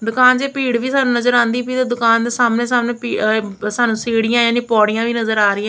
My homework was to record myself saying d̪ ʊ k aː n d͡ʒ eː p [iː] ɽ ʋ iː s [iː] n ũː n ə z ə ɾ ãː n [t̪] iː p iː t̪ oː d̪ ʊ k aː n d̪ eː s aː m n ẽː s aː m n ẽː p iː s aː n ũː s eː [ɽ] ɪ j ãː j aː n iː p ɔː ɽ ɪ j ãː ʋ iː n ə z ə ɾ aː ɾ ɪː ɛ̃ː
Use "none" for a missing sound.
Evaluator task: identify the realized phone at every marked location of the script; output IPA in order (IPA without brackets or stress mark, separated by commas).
iː, aː, d̪, ɽ